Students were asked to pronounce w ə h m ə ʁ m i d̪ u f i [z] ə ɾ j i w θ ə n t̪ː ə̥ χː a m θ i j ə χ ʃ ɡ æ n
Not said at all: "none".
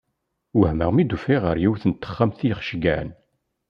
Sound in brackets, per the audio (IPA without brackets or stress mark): ʁ